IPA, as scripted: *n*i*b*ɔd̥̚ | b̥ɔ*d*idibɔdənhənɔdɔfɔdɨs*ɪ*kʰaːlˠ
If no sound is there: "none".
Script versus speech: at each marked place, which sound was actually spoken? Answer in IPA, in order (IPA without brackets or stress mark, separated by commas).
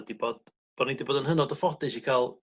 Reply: d, b, n, i